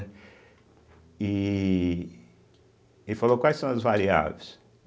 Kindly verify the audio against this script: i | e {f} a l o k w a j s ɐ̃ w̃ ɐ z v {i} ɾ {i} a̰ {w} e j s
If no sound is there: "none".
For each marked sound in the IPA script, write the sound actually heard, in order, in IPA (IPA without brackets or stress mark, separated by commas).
f, a, i, v